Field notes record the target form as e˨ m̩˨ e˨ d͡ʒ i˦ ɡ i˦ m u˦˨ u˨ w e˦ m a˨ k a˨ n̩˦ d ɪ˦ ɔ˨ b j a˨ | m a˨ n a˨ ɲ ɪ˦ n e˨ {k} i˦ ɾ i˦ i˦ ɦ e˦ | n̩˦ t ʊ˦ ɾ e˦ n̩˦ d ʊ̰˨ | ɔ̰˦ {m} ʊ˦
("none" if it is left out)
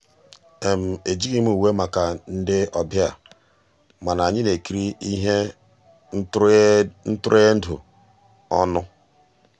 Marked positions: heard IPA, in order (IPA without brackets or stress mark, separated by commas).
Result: k, n